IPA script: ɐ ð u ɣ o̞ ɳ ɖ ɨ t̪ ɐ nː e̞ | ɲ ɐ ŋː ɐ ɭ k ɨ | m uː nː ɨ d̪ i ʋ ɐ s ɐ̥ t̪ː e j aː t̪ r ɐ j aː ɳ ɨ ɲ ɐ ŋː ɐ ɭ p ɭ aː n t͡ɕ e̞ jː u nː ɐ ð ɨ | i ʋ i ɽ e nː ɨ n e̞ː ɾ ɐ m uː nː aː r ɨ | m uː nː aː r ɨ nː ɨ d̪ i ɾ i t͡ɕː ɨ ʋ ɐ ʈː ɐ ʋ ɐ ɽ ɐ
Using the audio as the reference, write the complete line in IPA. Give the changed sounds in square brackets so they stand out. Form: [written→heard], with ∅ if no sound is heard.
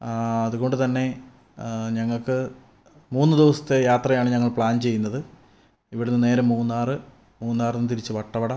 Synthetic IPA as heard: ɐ ð u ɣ o̞ ɳ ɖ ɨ t̪ ɐ nː e̞ | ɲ ɐ ŋː ɐ ɭ k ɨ | m uː nː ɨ d̪ i ʋ ɐ s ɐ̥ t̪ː e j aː t̪ r ɐ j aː ɳ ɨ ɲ ɐ ŋː ɐ ɭ p ɭ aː n t͡ɕ e̞ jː u nː ɐ ð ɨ | i ʋ i ɽ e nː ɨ n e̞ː ɾ ɐ m uː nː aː r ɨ | m uː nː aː r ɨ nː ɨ [d̪→t̪] i ɾ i t͡ɕː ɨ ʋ ɐ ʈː ɐ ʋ ɐ ɽ ɐ